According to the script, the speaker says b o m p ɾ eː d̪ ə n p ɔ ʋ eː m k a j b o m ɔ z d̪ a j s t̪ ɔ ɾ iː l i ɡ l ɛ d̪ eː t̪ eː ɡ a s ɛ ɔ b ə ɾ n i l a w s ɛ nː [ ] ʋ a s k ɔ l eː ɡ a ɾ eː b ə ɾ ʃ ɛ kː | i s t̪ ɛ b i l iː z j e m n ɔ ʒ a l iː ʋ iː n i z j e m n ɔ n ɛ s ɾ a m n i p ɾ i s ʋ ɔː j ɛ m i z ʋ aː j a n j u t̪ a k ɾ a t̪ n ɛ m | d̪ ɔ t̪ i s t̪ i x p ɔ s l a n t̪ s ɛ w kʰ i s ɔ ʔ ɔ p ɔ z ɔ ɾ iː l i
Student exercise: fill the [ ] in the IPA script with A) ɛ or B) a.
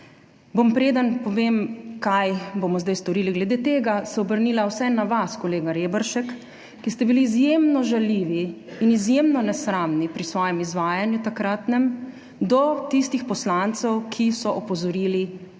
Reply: B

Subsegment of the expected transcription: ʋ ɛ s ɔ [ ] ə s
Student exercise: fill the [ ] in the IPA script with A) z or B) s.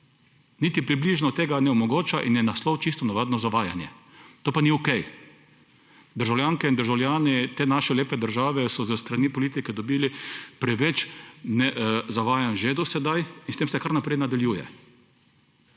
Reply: A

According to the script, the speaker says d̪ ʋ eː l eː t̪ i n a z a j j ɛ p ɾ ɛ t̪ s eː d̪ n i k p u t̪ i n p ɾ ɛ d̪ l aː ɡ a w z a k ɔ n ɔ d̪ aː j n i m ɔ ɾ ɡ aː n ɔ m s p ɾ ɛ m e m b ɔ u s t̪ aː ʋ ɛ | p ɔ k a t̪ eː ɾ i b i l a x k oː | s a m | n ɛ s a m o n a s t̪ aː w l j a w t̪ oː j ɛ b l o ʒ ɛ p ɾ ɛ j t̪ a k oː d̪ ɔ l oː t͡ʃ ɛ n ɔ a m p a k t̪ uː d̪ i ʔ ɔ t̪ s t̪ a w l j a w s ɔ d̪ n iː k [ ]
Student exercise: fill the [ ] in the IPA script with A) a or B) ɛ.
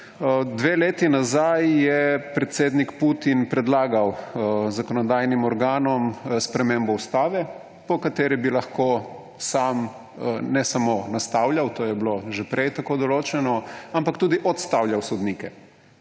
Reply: B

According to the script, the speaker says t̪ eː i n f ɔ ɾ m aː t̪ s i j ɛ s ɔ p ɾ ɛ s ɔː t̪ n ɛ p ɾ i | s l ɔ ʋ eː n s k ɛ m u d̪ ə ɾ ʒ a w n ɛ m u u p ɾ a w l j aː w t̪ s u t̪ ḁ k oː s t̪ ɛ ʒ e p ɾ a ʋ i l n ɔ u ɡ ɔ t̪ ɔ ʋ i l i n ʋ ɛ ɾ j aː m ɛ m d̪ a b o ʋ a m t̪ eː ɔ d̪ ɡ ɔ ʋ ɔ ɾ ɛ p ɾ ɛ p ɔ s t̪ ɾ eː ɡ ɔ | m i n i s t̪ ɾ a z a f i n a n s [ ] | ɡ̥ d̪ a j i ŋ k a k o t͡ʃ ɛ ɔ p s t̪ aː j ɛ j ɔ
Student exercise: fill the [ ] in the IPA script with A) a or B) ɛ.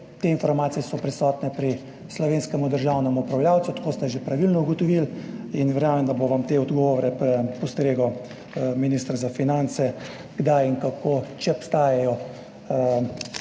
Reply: B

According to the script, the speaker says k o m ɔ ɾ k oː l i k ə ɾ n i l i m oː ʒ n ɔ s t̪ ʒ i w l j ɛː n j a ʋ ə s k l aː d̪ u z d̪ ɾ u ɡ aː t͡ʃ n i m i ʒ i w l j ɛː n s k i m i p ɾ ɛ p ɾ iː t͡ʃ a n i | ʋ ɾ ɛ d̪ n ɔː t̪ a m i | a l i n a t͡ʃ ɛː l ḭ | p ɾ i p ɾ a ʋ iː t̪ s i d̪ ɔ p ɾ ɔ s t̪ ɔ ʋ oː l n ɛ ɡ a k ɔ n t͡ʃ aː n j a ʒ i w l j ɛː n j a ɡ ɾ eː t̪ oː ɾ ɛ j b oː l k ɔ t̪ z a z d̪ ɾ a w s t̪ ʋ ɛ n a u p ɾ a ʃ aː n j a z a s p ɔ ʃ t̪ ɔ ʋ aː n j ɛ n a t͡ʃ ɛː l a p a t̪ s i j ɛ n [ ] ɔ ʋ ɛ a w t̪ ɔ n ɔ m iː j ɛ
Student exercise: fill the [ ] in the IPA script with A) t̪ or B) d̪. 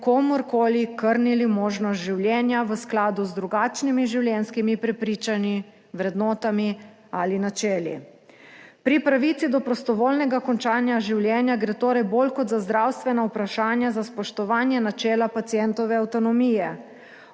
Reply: A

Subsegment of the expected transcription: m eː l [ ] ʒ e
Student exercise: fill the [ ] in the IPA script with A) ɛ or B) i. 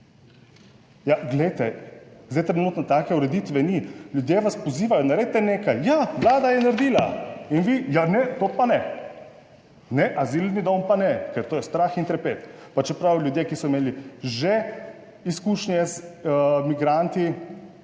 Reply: B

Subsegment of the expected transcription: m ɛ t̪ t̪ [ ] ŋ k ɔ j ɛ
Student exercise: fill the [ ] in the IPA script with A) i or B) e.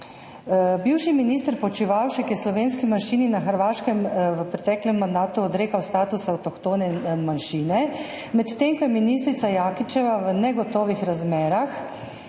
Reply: B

